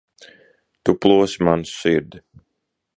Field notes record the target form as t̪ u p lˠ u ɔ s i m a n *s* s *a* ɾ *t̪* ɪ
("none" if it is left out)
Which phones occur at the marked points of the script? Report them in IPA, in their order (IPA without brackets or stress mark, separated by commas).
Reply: s, i, d̪